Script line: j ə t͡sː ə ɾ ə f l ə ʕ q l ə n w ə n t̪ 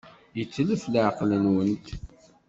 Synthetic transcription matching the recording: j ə t͡sː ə l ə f l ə ʕ q l ə n w ə n t̪